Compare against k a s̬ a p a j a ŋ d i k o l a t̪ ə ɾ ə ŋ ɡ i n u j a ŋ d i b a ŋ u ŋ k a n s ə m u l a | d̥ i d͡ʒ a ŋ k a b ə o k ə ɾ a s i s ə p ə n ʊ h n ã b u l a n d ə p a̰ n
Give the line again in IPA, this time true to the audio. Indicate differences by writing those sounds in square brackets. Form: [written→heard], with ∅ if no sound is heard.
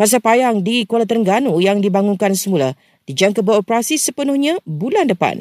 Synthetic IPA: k a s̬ a p a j a ŋ d i k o l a t̪ ə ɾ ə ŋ ɡ [i→a] n u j a ŋ d i b a ŋ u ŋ k a n s ə m u l a | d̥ i d͡ʒ a ŋ k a b ə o [k→p] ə ɾ a s i s ə p ə n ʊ h [n→ɲ] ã b u l a n d ə p a̰ n